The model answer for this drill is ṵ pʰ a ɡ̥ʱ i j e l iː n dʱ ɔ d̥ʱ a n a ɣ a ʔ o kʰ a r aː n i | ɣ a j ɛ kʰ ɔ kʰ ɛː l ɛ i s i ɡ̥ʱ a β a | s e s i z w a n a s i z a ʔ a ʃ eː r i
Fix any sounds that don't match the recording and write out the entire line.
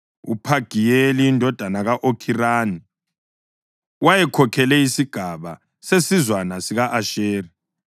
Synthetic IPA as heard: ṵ pʰ a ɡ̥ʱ i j e l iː n dʱ ɔ d̥ʱ a n a ɣ a ʔ o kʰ i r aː n i | w a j ɛ kʰ ɔ kʰ ɛ l ɛ i s i ɡ̥ʱ a β a | s e s i z w a n a s i ɣ a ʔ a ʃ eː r i